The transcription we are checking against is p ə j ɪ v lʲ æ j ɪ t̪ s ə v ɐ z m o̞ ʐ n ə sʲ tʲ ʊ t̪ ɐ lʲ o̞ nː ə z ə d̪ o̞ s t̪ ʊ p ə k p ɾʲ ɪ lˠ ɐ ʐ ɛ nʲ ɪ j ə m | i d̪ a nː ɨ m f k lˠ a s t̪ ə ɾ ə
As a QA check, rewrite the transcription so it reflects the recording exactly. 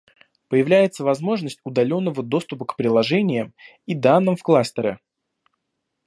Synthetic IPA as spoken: p ə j ɪ v lʲ æ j ɪ t̪ s ə v ɐ z m o̞ ʐ n ə sʲ tʲ ʊ d̪ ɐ lʲ o̞ nː ə v ə d̪ o̞ s t̪ ʊ p ə k p ɾʲ ɪ lˠ ɐ ʐ ɛ nʲ ɪ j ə m | i d̪ a nː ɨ m f k lˠ a s t̪ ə ɾ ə